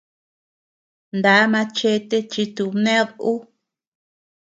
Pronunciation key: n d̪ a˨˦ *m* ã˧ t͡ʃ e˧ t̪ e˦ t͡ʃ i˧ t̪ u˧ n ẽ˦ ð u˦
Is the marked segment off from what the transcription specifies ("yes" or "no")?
no